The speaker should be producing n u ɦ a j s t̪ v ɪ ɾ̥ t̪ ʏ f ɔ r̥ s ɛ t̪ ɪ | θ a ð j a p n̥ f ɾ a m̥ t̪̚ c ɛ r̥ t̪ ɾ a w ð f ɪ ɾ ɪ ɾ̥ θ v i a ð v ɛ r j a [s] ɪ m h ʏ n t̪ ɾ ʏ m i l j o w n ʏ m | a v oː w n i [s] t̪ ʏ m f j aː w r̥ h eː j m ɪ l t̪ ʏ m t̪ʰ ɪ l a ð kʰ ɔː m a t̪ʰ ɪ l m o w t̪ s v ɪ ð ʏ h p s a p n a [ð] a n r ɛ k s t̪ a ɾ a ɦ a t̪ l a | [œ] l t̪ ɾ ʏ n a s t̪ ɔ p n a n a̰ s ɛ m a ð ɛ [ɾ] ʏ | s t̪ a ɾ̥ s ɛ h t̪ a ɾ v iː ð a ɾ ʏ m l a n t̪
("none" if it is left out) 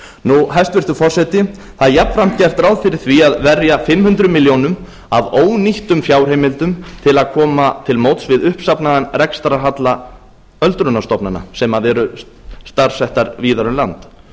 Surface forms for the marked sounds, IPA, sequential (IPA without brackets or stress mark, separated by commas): f, h, ð, œ, ɾ